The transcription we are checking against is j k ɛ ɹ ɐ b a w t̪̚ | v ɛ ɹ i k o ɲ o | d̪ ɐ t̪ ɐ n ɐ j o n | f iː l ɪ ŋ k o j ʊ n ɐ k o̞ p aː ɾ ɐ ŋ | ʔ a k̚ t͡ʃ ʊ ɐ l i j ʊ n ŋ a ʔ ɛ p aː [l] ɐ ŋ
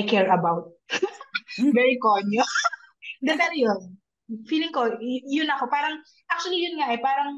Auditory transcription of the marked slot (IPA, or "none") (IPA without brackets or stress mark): ɾ